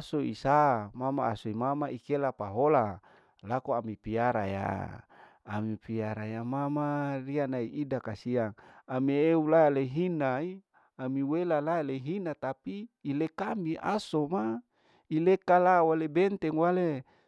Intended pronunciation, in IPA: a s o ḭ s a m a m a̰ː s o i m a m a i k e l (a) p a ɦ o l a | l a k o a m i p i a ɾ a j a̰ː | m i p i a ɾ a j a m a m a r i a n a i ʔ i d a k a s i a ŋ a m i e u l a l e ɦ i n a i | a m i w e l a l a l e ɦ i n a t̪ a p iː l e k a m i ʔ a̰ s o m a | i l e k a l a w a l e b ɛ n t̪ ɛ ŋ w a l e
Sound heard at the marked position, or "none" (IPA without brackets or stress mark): a